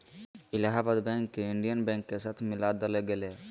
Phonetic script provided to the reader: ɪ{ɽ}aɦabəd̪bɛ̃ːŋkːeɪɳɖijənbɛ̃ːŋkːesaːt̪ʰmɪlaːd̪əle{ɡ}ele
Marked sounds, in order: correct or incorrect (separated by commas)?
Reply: incorrect, correct